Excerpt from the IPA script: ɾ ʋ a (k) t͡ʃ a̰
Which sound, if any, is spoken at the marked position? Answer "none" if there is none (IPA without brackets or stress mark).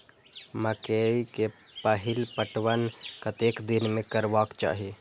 k